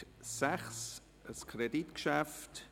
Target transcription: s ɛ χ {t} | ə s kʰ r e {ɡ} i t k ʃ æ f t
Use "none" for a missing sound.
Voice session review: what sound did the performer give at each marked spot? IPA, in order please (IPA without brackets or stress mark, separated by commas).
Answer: s, d